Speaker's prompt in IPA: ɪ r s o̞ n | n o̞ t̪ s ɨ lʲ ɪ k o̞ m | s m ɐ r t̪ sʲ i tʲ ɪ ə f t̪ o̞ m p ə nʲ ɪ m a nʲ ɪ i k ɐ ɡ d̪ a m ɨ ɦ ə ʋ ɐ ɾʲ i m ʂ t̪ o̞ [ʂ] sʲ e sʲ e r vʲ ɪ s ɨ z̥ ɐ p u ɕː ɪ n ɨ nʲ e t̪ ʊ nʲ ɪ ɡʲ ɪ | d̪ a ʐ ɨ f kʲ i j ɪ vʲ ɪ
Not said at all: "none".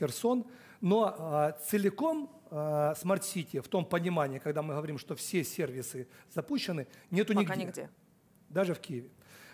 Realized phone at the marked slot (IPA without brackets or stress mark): f